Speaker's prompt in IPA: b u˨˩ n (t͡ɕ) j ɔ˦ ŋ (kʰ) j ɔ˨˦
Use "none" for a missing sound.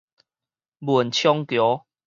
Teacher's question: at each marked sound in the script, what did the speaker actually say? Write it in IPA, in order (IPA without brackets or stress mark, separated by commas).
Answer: t͡ɕʰ, k